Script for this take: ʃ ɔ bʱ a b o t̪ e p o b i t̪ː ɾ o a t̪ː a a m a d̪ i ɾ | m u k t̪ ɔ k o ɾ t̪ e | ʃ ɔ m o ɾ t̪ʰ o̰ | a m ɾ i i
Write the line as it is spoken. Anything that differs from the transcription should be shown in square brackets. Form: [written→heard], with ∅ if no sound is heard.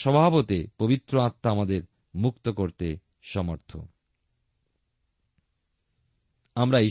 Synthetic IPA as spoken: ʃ ɔ bʱ a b o t̪ e p o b i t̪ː ɾ o a t̪ː a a m a d̪ [i→e] ɾ | m u k t̪ [ɔ→o] k o ɾ t̪ e | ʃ ɔ m o ɾ t̪ʰ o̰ | a m ɾ [i→a] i